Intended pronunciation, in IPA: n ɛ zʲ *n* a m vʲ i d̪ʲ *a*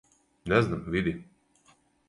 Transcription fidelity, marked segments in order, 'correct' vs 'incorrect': correct, incorrect: i

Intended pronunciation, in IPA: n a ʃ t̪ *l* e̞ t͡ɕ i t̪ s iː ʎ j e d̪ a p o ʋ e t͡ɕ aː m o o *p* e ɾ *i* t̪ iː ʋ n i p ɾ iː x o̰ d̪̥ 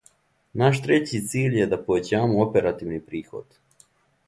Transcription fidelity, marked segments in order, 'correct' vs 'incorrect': incorrect: ɾ, correct, incorrect: a

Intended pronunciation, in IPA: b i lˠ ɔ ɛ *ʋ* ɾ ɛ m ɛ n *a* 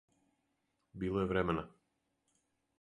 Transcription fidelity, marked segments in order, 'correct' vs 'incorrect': incorrect: v, correct

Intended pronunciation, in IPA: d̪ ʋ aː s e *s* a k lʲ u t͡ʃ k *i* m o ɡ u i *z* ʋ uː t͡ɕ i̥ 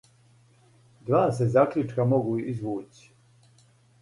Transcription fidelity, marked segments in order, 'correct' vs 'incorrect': incorrect: z, incorrect: a, correct

